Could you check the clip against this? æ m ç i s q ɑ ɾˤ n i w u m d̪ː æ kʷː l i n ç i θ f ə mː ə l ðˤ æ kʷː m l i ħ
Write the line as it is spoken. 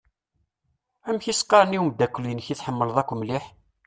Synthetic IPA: æ m ç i s q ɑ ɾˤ n i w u m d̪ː æ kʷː l i n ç i θ ħ ə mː ə l ðˤ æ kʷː m l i ħ

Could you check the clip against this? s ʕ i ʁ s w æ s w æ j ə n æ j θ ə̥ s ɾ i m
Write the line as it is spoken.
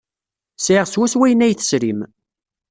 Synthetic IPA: s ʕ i ʁ s w æ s w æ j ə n æ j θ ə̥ s ɾ i m

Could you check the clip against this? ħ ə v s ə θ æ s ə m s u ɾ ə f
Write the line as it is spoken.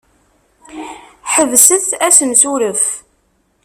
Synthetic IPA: ħ ə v s ə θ æ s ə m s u ɾ ə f

